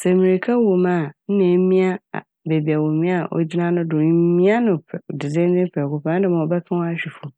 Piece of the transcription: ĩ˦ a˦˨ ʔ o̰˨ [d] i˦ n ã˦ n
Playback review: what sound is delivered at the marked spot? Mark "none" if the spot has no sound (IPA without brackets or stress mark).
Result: d͡ʑ